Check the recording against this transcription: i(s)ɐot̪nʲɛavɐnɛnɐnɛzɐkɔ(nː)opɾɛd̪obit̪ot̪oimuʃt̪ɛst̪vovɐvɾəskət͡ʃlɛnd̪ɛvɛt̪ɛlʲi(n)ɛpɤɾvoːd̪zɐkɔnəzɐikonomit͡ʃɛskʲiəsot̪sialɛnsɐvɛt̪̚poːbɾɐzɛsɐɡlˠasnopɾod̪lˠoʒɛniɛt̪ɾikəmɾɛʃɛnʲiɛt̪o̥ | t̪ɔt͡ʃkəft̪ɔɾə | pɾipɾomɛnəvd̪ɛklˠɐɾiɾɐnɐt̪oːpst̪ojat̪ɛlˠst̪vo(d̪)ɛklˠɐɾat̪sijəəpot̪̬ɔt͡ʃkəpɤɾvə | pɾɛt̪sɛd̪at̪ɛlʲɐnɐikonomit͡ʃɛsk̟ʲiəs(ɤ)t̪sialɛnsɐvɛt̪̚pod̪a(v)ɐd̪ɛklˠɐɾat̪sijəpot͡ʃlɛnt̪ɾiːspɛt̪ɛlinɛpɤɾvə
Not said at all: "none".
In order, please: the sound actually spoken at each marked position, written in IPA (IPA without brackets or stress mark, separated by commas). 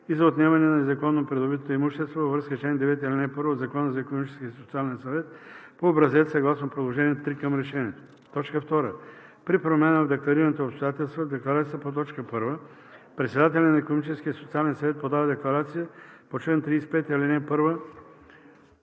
z, nː, n, d̪, o, v